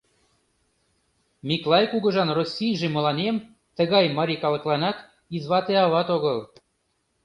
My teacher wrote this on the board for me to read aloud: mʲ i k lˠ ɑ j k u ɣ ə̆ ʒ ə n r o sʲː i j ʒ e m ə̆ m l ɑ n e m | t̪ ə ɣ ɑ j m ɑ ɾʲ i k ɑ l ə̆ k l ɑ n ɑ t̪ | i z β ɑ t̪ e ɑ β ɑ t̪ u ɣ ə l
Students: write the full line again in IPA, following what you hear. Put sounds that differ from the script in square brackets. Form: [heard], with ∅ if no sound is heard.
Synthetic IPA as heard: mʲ i k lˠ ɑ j k u ɣ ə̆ ʒ [ɑ] n r o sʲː i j ʒ e m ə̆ [∅] l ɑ n e m | t̪ ə ɣ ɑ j m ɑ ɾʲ i k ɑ l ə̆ k l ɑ n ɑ t̪ | i z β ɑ t̪ e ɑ β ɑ t̪ [o] ɣ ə l